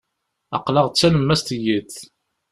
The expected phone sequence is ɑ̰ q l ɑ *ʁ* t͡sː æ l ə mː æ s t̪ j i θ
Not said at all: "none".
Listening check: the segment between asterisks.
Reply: ʁ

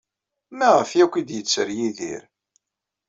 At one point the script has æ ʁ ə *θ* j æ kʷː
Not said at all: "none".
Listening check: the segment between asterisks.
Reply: f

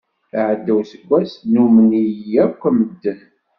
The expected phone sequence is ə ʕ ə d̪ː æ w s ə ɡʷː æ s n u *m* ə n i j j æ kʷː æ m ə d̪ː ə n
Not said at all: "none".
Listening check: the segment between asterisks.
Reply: m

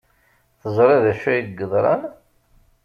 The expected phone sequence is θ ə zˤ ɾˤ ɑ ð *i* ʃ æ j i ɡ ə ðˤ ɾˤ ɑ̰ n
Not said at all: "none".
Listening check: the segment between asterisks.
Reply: æ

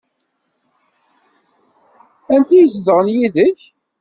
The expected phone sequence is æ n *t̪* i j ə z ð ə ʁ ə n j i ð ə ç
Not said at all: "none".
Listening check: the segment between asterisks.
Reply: t̪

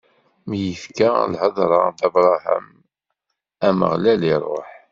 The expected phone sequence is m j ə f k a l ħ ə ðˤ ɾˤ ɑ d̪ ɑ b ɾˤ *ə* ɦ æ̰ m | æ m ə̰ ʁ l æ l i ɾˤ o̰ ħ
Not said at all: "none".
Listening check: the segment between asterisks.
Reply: ɑ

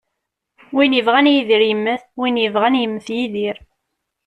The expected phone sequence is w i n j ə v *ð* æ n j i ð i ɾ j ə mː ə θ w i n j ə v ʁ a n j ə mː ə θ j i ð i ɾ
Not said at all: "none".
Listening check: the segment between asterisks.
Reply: ʁ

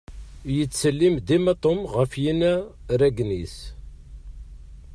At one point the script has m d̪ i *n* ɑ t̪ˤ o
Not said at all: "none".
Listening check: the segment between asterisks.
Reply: m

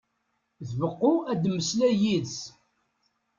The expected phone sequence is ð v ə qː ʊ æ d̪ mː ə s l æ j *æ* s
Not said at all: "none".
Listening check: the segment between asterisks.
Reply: i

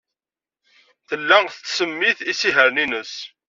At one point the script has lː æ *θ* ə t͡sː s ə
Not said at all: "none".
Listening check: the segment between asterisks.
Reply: θ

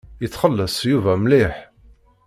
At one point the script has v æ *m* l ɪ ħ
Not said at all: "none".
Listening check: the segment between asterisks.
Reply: m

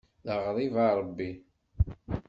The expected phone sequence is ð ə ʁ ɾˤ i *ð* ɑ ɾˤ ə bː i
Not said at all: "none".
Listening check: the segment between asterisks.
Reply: v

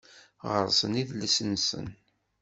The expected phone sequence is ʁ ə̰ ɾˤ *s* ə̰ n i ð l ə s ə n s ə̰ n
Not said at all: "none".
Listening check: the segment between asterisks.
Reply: s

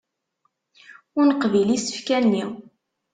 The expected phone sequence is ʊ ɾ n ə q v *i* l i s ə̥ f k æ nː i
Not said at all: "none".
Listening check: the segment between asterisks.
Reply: i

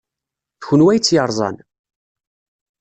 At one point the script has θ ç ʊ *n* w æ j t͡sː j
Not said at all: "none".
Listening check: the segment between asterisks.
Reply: n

